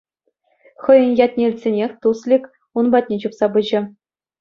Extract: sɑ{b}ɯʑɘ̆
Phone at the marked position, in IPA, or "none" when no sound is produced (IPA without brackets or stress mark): b